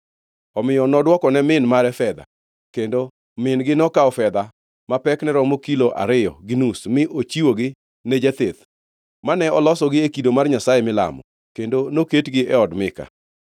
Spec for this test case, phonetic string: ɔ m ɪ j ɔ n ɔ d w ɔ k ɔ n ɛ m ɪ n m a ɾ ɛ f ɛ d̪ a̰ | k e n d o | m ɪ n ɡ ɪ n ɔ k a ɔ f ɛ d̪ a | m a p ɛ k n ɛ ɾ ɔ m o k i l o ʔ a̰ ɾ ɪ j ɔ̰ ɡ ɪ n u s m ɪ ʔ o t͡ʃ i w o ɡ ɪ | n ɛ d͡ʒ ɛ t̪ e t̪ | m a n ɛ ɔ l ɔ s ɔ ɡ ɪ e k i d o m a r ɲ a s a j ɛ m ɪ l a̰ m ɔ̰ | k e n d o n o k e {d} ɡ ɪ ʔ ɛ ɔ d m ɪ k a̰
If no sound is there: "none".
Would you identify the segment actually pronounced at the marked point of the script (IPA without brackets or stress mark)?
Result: t